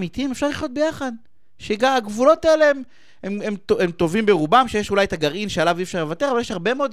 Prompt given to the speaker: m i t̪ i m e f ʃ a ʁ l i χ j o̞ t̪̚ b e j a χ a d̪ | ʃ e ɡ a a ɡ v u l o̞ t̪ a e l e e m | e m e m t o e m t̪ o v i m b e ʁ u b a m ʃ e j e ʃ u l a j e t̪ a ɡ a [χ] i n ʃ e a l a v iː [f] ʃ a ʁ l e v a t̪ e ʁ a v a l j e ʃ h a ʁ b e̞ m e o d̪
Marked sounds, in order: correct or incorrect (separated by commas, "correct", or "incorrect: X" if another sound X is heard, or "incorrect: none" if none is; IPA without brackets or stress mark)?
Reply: incorrect: ʁ, correct